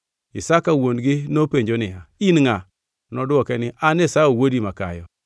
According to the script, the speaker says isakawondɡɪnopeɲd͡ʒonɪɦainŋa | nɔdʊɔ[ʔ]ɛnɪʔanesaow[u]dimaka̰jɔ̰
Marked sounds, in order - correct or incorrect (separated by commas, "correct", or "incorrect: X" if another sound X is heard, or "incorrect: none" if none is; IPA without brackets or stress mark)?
incorrect: k, incorrect: o